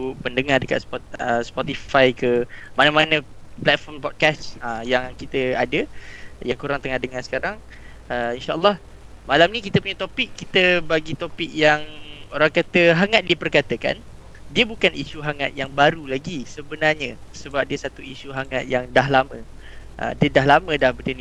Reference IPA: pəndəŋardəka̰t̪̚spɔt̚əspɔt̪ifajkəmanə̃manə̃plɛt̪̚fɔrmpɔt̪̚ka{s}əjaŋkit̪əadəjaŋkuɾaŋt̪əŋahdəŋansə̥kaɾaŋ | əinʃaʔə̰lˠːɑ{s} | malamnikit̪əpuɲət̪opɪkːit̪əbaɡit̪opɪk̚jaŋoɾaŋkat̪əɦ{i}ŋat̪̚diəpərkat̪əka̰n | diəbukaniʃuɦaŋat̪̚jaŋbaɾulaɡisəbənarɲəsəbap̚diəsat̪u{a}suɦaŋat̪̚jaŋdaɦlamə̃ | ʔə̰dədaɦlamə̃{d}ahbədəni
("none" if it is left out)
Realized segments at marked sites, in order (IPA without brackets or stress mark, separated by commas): s, h, a, i, d